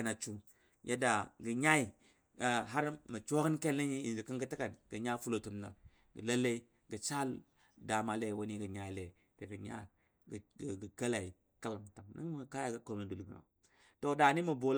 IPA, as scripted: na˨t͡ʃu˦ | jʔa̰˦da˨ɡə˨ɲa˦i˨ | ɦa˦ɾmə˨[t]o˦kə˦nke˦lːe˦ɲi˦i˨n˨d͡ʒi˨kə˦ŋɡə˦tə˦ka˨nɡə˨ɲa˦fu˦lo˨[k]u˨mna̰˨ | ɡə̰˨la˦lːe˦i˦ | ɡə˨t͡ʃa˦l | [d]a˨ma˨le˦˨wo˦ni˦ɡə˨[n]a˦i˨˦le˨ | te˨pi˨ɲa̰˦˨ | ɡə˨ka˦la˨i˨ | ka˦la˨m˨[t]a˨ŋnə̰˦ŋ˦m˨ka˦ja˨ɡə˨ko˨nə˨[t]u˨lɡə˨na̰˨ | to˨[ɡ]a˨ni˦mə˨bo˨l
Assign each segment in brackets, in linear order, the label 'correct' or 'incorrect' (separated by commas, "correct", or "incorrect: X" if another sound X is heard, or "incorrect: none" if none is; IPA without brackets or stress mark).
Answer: incorrect: t͡ʃ, incorrect: t, correct, incorrect: ɲ, correct, incorrect: d, incorrect: d